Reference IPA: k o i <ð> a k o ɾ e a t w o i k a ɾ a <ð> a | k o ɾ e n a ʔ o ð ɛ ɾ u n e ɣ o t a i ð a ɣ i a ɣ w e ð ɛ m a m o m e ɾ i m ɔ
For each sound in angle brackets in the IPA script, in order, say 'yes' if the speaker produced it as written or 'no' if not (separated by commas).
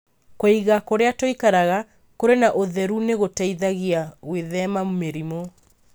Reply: no, no